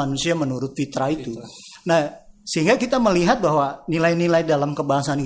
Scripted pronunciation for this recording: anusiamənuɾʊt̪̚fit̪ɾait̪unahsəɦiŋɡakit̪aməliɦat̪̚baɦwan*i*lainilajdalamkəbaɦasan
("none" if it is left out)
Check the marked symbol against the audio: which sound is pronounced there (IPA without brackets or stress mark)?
i